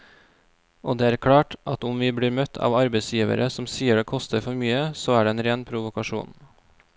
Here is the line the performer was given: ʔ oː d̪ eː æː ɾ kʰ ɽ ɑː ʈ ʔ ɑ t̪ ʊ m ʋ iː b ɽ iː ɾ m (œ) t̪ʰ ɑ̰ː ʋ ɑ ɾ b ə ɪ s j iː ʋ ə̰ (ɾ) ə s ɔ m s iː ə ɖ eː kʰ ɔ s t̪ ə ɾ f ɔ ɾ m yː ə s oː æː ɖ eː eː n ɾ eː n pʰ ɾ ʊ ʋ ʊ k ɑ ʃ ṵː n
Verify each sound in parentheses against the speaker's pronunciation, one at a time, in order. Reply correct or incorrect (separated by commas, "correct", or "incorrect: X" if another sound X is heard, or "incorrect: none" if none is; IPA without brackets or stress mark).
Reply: correct, correct